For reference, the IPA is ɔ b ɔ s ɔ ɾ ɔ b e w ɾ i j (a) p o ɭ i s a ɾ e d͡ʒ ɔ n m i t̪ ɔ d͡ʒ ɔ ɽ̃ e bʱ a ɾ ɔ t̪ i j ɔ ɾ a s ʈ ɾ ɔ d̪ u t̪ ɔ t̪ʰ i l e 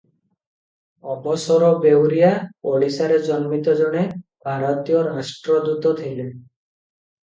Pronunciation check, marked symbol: correct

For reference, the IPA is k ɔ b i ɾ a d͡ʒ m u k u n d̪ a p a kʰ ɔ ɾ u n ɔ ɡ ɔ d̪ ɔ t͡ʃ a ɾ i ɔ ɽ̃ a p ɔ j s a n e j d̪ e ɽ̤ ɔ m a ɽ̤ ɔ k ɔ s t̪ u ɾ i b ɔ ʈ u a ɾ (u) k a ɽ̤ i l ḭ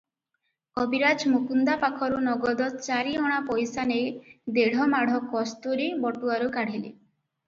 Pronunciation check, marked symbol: correct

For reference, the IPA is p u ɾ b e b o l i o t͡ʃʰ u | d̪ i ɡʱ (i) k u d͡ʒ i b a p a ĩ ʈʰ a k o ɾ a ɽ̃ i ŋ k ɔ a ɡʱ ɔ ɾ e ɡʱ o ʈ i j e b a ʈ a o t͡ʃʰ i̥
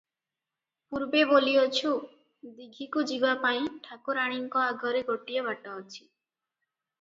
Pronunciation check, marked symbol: correct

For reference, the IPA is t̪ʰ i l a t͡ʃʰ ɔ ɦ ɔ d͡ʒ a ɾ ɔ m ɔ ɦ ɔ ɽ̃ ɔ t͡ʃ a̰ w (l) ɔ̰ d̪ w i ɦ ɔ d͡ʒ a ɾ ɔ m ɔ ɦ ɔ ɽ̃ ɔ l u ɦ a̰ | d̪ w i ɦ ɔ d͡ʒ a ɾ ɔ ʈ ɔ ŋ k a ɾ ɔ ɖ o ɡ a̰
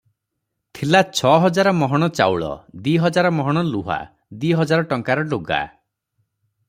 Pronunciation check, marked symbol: incorrect: ɭ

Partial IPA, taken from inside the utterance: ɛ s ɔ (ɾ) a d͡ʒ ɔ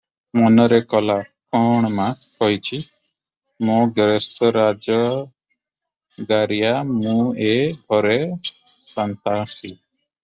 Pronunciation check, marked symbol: correct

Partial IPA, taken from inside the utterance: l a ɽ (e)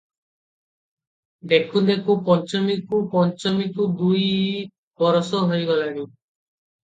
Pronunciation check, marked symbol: incorrect: i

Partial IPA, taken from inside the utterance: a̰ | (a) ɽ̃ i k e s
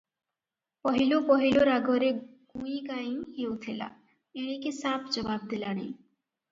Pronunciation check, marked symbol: incorrect: e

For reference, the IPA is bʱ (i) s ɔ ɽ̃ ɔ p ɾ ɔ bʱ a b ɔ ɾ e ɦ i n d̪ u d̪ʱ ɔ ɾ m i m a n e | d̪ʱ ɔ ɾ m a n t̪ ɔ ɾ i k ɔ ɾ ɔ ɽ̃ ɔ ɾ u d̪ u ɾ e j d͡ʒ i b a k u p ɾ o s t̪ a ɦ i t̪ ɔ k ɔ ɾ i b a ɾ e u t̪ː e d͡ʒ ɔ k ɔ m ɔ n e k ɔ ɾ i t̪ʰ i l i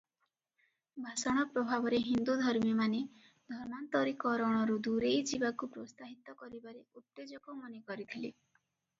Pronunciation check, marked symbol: incorrect: a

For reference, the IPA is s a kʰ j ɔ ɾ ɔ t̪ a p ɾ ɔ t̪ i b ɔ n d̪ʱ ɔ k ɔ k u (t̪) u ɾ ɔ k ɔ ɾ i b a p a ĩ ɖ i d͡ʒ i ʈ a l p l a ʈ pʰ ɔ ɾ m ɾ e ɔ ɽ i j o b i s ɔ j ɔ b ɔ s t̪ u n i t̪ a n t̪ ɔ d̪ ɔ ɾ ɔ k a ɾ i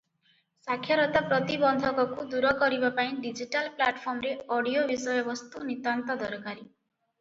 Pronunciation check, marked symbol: incorrect: d̪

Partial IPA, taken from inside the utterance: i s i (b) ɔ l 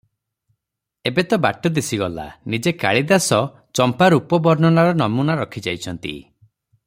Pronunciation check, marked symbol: incorrect: ɡ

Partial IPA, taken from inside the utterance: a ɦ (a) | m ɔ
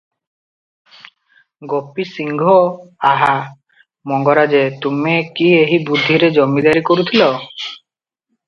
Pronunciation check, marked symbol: correct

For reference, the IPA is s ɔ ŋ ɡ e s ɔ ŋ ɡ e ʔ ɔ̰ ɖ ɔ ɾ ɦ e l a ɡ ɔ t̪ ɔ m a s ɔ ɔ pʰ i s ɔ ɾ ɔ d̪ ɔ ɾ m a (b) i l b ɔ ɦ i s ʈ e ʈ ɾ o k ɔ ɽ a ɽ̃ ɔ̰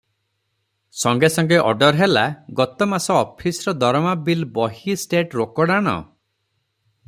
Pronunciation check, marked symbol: correct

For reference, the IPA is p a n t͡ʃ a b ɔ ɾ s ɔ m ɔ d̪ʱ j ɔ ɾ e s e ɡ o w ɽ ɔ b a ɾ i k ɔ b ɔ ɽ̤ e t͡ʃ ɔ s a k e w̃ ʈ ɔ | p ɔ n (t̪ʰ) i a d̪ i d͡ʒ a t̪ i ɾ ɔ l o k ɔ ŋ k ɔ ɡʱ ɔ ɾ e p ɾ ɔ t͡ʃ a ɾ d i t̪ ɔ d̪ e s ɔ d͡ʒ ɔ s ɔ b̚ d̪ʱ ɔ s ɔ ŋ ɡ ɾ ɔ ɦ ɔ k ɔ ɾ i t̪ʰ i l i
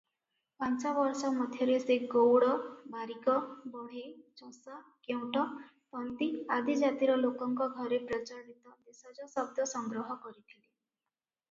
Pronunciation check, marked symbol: incorrect: t̪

